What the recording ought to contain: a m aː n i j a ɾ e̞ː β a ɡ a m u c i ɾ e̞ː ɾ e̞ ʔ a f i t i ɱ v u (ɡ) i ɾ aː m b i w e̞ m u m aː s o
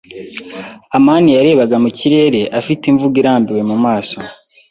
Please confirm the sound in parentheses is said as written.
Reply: yes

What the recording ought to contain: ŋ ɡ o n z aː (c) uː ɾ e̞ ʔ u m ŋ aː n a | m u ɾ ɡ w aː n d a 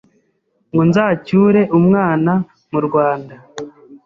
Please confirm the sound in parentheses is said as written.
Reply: yes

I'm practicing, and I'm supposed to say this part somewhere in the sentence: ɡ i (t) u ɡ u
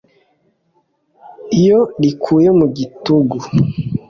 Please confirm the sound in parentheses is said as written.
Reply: yes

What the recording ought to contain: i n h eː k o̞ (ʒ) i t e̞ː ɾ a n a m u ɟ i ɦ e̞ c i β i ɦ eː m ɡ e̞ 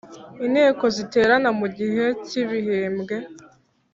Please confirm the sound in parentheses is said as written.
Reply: no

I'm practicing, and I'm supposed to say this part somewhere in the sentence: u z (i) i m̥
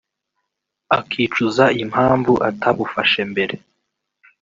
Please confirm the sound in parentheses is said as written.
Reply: no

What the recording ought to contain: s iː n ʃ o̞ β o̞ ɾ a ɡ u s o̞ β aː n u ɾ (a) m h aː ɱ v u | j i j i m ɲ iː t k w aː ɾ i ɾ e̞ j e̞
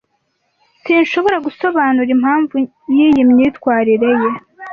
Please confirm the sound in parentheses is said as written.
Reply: no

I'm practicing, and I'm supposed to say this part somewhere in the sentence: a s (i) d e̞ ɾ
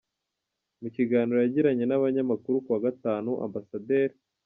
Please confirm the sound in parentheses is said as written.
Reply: no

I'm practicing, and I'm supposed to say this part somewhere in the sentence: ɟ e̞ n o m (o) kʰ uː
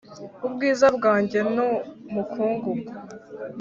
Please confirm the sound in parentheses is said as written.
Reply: no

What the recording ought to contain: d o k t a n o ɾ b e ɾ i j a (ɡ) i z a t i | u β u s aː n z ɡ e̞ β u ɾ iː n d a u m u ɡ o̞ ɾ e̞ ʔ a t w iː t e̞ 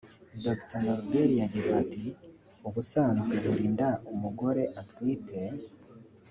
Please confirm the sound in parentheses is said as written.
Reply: no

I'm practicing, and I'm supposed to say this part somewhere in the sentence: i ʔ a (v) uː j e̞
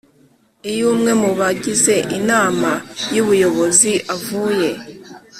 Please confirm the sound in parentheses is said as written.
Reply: yes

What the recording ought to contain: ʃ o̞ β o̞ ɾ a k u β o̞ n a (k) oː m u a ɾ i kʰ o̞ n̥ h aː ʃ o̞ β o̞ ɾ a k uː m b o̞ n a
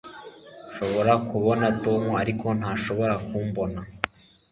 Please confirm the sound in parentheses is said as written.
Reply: no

